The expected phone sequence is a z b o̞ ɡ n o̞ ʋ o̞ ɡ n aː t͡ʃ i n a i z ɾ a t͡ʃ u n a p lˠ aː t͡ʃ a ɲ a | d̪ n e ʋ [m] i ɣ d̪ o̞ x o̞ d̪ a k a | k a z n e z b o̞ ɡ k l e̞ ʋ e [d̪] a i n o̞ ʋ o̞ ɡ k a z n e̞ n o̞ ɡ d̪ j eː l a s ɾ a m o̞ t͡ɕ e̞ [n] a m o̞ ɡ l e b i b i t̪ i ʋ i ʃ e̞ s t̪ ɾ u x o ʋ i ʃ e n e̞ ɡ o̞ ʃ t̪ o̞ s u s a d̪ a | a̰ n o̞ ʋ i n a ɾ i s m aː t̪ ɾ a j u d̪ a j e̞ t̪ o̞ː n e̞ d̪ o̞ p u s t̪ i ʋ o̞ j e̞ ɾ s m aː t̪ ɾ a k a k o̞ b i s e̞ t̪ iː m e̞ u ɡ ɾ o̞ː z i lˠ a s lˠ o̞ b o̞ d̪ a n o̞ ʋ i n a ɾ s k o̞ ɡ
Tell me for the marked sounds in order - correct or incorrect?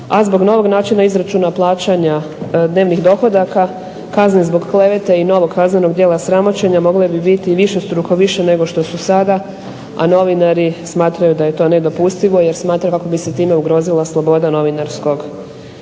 incorrect: n, incorrect: t̪, incorrect: ɲ

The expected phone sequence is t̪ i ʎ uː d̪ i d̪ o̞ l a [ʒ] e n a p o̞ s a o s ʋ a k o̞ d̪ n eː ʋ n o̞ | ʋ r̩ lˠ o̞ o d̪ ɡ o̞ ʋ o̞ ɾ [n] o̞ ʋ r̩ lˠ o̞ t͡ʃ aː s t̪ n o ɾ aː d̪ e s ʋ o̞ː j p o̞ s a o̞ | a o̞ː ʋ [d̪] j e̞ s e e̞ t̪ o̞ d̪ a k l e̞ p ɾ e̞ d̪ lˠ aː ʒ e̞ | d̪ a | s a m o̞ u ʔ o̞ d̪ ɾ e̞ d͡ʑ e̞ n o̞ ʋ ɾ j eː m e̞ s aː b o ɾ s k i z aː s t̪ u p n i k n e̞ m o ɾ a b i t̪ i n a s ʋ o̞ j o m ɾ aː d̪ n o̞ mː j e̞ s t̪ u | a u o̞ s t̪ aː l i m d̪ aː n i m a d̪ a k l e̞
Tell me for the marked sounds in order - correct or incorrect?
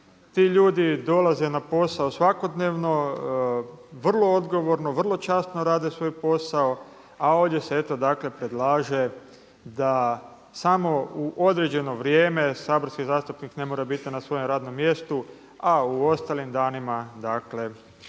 incorrect: z, correct, correct

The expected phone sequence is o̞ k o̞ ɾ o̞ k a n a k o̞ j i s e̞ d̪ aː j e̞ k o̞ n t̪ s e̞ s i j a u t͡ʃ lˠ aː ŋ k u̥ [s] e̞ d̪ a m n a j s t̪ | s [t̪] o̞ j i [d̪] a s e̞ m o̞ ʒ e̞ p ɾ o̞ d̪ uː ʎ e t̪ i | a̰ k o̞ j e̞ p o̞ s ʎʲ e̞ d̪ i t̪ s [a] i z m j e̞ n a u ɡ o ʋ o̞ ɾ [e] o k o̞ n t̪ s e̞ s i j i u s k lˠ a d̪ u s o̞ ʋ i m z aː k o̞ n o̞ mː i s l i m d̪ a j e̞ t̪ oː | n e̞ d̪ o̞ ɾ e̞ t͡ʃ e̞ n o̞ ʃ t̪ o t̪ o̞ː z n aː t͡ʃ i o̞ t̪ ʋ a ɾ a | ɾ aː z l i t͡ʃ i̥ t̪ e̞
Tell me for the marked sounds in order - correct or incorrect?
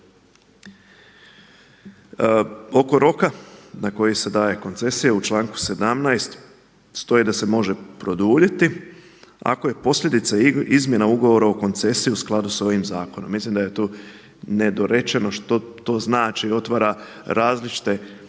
correct, correct, correct, correct, incorrect: a

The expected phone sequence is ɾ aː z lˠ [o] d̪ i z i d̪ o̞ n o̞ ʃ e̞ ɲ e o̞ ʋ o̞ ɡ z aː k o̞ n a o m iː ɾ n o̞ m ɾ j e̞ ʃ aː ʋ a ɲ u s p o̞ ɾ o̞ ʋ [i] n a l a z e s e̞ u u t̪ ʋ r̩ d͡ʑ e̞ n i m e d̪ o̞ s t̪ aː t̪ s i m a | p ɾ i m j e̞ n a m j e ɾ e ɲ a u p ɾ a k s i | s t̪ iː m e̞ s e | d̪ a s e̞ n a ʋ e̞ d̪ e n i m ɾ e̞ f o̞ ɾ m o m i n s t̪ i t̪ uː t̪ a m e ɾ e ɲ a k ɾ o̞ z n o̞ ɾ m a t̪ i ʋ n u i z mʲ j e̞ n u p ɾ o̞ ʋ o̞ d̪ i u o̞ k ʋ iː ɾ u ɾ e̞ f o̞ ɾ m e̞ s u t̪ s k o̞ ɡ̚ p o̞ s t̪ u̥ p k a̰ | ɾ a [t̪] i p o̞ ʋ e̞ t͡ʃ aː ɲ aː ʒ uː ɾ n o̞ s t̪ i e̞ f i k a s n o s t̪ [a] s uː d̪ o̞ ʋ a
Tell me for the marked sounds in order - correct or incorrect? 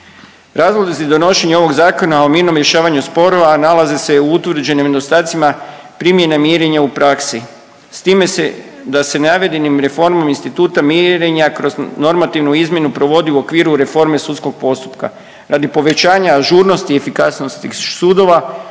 correct, incorrect: a, incorrect: d̪, incorrect: i

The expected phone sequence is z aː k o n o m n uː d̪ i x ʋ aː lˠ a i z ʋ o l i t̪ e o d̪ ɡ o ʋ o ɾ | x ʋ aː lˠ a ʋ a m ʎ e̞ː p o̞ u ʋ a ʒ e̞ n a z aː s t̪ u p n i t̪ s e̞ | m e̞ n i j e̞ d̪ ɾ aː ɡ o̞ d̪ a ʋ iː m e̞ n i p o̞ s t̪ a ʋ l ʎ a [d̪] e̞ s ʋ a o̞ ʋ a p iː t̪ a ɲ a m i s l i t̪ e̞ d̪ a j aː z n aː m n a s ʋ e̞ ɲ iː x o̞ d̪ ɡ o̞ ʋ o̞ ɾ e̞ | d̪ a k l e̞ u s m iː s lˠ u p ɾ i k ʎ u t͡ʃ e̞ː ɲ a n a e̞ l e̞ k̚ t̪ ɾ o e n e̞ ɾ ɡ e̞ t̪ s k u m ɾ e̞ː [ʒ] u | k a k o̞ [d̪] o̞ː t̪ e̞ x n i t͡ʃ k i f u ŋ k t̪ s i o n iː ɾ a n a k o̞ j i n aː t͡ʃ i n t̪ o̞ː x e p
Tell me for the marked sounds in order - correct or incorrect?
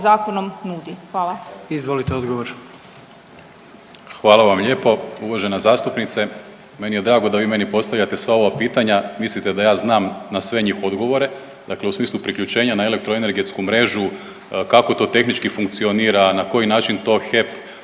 incorrect: t̪, correct, incorrect: t̪

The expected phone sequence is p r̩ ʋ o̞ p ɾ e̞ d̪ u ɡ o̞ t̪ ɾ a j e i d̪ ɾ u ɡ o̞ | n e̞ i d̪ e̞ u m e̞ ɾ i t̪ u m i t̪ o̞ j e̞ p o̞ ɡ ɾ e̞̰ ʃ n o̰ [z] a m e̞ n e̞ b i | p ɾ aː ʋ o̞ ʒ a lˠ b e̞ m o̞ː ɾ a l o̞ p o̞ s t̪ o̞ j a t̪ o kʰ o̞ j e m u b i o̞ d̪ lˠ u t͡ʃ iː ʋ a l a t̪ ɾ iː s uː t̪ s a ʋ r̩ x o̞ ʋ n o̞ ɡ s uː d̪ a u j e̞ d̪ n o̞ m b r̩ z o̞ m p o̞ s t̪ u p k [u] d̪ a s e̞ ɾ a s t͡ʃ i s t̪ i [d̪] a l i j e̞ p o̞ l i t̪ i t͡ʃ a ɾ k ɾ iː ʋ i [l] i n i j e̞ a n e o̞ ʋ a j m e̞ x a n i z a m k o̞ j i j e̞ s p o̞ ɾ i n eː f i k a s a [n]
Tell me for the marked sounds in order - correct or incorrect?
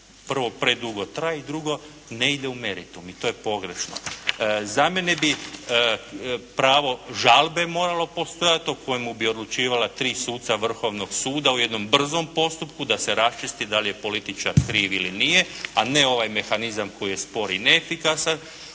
correct, correct, correct, correct, correct

